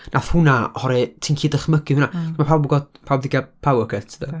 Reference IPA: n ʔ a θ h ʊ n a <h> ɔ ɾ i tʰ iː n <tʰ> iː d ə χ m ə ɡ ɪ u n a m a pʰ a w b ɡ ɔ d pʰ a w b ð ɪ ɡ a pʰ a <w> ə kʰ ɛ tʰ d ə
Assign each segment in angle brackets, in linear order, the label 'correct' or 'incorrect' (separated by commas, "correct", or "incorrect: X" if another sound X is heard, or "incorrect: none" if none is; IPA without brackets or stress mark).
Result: correct, incorrect: kʰ, correct